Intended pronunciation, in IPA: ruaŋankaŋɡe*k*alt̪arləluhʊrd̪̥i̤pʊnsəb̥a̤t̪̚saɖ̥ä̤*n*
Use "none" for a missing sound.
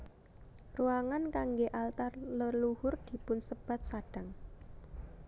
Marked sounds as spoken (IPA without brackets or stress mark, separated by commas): ʔ, ŋ